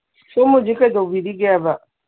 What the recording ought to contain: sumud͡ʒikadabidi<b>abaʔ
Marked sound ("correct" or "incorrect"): incorrect